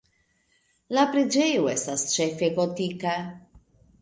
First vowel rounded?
no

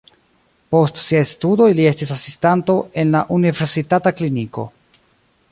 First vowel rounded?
yes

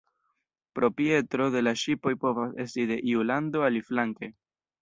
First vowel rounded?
yes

